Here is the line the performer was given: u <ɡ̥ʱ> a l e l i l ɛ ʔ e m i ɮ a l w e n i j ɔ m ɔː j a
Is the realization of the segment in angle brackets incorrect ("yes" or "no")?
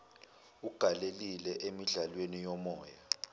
no